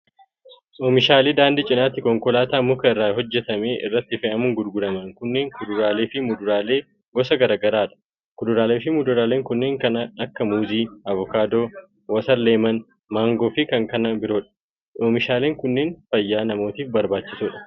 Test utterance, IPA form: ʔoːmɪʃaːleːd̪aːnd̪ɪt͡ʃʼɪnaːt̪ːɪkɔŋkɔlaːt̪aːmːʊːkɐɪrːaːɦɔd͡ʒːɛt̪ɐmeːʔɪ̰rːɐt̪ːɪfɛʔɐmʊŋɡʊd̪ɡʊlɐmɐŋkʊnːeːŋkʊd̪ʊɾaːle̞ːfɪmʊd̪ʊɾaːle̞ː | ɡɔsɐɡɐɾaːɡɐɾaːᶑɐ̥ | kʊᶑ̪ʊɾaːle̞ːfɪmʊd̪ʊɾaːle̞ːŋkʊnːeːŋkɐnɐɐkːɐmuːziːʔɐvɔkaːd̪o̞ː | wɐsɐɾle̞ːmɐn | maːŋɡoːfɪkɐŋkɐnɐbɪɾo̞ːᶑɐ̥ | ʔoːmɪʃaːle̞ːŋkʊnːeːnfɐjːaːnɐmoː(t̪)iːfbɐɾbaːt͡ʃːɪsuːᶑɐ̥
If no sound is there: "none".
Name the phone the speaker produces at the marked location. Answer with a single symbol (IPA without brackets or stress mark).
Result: t̪